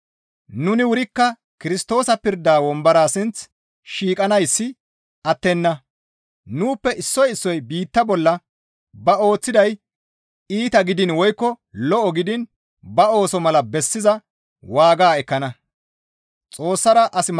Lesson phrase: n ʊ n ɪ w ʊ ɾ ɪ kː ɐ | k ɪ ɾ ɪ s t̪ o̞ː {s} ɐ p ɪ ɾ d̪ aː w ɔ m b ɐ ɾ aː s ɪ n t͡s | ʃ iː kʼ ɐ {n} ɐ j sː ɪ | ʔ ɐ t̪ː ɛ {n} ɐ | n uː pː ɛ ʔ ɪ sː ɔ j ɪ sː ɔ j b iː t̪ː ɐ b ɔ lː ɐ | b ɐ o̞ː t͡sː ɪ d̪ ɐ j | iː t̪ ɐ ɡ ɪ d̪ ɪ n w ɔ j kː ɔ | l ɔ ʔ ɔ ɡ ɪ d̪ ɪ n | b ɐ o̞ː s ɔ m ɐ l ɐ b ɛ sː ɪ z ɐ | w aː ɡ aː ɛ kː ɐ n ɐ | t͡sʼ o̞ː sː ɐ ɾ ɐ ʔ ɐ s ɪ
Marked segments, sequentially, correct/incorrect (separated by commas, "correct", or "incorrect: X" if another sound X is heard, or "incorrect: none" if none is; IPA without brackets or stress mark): correct, correct, incorrect: nː